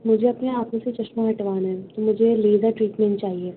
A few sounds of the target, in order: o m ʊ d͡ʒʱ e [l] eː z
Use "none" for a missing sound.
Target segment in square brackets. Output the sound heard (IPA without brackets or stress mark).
l